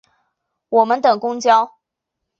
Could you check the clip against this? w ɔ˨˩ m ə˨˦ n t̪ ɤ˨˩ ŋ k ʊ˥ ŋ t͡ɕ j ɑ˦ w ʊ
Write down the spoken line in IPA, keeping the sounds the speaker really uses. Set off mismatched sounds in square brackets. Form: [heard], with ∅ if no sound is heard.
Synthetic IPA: w ɔ˨˩ m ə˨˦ n t̪ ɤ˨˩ ŋ k ʊ˥ ŋ t͡ɕ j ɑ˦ [∅] ʊ

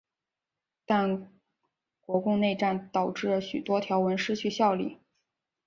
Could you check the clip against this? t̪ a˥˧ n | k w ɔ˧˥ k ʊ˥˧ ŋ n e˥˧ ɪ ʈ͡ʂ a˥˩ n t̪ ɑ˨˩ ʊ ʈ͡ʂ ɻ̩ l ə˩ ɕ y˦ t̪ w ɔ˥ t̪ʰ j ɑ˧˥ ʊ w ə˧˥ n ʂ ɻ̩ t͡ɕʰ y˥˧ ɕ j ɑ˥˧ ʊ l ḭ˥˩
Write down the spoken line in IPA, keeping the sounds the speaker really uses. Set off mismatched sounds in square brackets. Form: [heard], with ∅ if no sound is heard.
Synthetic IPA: t̪ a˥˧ n | k w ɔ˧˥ k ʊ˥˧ ŋ n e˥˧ ɪ ʈ͡ʂ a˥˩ n t̪ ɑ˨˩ ʊ ʈ͡ʂ ɻ̩ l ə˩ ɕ [y˨˩] t̪ w ɔ˥ t̪ʰ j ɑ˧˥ ʊ w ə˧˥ n ʂ ɻ̩ t͡ɕʰ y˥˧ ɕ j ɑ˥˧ ʊ l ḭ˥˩

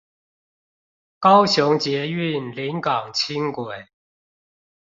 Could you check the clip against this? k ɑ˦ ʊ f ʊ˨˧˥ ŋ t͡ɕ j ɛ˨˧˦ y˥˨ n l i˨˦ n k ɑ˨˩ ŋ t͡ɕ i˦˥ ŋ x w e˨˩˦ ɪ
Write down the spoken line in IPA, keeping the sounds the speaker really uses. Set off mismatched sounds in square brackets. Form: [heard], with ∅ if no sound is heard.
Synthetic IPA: k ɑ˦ ʊ [ɕ] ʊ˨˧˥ ŋ t͡ɕ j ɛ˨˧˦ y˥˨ n l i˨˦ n k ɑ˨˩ ŋ [t͡ɕʰ] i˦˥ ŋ [k] w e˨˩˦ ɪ

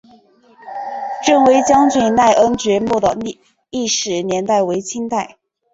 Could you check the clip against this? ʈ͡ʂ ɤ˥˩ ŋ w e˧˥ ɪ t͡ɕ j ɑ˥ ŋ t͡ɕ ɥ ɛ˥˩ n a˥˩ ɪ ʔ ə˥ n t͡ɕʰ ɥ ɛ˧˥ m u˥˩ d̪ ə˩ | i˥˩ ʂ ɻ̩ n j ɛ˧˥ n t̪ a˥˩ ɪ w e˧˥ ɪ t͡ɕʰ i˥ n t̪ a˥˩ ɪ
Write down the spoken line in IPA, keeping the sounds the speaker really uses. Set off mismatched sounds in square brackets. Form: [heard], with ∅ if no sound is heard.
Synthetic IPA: ʈ͡ʂ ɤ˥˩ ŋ w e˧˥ ɪ t͡ɕ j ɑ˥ ŋ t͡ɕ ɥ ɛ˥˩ n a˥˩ ɪ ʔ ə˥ n [t͡ɕ] ɥ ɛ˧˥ m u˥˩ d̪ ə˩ | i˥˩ ʂ ɻ̩ n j ɛ˧˥ n t̪ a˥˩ ɪ w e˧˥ ɪ t͡ɕʰ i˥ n t̪ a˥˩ ɪ

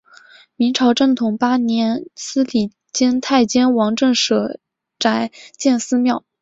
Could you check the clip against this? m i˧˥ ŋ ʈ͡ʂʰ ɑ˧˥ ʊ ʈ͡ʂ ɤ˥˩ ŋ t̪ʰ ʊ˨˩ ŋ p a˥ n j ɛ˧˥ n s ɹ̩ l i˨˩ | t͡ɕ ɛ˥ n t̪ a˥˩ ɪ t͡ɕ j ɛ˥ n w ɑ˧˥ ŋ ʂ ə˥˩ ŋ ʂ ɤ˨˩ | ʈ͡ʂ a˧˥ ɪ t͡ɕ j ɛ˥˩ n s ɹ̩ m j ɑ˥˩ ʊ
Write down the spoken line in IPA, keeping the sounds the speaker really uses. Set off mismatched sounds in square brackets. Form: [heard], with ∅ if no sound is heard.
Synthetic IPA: m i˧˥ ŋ ʈ͡ʂʰ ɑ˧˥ ʊ ʈ͡ʂ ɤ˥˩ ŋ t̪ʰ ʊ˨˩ ŋ p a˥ n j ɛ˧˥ n s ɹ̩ l i˨˩ | t͡ɕ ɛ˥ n [t̪ʰ] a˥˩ ɪ t͡ɕ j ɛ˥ n w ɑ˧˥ ŋ [ʈ͡ʂ] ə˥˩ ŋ ʂ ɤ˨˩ | ʈ͡ʂ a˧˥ ɪ t͡ɕ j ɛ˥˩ n s ɹ̩ m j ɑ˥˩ ʊ

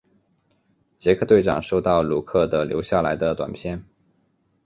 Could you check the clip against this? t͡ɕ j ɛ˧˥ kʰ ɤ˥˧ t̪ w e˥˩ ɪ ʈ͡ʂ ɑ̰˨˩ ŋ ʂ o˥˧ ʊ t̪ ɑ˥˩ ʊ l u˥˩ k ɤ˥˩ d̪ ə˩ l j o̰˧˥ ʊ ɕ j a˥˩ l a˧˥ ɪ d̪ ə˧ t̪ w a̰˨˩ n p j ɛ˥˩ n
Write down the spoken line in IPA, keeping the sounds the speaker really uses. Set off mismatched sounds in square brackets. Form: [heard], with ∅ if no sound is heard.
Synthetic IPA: t͡ɕ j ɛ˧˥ kʰ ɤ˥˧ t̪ w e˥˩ ɪ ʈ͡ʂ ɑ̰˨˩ ŋ ʂ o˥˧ ʊ t̪ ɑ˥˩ ʊ l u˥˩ [kʰ] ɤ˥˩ d̪ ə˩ l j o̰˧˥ ʊ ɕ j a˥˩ l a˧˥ ɪ d̪ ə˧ t̪ w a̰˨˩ n [pʰ] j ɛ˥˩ n

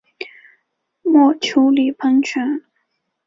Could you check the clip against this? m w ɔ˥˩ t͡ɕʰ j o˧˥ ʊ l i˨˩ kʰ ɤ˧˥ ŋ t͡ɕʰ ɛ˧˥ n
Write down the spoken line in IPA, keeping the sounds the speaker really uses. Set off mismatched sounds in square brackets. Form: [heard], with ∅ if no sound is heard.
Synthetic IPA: m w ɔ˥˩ t͡ɕʰ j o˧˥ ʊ l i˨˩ [pʰ] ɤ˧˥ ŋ t͡ɕʰ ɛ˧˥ n

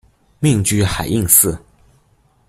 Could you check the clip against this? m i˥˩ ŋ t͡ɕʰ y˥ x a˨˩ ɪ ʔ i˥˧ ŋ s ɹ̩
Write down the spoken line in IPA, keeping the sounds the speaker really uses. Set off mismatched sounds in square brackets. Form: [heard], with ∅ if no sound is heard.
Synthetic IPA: m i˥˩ ŋ [t͡ɕ] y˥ x a˨˩ ɪ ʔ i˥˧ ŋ s ɹ̩

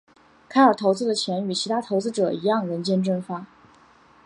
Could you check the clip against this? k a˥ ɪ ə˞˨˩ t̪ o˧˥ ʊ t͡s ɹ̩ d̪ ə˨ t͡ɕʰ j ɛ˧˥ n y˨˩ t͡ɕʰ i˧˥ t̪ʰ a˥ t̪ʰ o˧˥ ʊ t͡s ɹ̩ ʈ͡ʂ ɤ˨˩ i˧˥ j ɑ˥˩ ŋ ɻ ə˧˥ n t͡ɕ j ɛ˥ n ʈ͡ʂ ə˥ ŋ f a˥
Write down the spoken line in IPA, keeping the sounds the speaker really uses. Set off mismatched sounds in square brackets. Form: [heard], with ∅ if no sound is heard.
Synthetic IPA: [kʰ] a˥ ɪ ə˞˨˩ [t̪ʰ] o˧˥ ʊ t͡s ɹ̩ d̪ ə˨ t͡ɕʰ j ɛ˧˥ n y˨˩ t͡ɕʰ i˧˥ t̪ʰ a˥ t̪ʰ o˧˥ ʊ t͡s ɹ̩ ʈ͡ʂ ɤ˨˩ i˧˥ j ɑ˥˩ ŋ ɻ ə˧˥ n t͡ɕ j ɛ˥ n ʈ͡ʂ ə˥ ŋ f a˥

